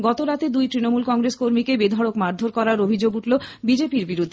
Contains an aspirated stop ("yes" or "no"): no